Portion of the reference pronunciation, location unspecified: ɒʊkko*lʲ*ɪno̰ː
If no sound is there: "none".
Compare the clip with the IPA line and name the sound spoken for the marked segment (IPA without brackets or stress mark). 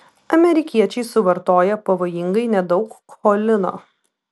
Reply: lʲ